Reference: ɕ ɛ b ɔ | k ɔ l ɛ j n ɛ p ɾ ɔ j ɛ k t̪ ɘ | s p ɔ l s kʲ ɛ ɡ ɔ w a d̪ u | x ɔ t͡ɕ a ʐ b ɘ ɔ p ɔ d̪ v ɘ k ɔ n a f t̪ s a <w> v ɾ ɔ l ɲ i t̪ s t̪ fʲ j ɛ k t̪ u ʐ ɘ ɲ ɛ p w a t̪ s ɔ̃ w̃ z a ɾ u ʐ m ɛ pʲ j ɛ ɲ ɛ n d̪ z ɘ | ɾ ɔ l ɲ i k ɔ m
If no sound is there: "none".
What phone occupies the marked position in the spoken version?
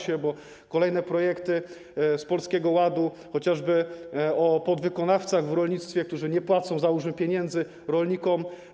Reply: ɣ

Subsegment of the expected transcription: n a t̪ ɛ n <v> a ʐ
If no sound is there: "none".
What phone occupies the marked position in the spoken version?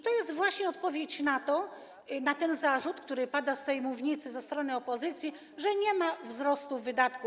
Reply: z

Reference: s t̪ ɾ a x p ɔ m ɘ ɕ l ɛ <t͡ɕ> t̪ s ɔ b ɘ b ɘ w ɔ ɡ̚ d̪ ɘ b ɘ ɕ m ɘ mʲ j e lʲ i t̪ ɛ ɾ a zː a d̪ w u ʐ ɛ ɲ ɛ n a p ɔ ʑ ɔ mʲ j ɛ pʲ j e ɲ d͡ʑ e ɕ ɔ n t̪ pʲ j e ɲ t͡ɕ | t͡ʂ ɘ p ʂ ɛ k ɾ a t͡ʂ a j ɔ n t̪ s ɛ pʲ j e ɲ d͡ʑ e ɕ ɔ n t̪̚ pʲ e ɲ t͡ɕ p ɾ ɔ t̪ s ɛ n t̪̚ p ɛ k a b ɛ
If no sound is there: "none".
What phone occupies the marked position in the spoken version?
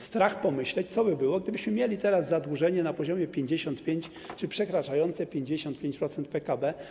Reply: t͡ɕ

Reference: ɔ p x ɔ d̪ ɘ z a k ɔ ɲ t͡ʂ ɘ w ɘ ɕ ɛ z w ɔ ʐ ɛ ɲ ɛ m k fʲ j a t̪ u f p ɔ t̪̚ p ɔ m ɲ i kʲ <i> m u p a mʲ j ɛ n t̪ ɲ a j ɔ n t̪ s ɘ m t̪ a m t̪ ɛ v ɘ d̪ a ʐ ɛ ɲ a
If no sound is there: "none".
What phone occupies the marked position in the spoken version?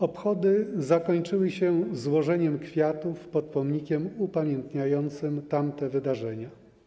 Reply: ɛ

